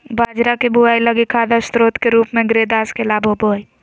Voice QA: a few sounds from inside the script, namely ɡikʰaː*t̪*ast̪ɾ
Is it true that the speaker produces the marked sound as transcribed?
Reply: no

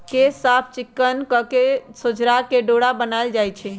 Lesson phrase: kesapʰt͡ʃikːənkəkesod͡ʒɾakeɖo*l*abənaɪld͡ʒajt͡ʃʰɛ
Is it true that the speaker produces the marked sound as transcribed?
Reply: no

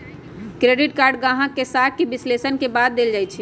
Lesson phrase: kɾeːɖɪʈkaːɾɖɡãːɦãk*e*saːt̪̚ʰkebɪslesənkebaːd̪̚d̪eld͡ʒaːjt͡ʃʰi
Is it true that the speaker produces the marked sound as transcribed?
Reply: yes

